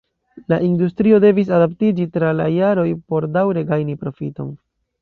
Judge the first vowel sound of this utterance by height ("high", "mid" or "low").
low